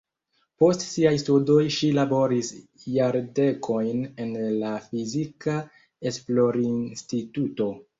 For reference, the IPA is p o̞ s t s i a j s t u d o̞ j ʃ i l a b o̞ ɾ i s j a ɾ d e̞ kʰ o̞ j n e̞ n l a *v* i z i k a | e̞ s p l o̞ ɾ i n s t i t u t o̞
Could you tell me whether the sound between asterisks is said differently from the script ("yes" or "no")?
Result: yes